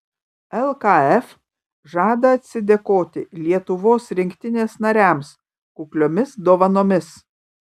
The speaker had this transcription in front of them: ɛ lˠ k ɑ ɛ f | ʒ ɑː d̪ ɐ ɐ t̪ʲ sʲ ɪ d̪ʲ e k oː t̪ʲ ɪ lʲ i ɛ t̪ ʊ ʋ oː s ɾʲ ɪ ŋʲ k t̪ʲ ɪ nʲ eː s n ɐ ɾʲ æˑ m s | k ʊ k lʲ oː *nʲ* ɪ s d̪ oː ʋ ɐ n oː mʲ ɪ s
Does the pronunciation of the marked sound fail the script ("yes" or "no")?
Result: yes